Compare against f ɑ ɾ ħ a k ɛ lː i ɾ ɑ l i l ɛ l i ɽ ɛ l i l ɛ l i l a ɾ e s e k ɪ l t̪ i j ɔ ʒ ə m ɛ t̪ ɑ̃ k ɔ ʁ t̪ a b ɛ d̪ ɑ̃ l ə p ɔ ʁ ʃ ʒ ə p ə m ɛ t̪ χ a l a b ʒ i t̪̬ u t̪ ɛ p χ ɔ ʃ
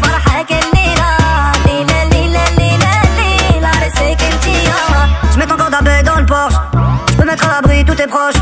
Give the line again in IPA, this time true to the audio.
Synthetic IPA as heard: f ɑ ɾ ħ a k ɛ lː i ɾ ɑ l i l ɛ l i l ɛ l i l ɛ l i l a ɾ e s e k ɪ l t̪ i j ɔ ʒ ə m ɛ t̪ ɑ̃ k ɔ ʁ d̪ a b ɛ d̪ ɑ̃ l ə p ɔ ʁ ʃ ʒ ə p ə m ɛ t̪ χ a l a b ʁ i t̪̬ u t̪ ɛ p χ ɔ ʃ